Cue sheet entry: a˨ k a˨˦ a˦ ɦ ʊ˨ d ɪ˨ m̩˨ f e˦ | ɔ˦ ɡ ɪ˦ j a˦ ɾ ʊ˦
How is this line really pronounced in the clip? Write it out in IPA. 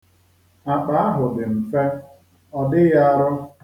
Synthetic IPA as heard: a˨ k͡p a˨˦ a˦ ɦ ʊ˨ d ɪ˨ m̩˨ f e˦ | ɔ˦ d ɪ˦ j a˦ ɾ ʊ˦